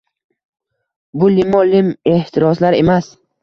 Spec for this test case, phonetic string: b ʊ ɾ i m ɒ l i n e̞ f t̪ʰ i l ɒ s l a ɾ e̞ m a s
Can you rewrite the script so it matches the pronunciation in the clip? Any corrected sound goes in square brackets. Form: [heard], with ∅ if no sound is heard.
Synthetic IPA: b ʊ [l] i m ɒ l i [m] e̞ [h] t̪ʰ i [ɾ] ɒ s l a ɾ e̞ m a s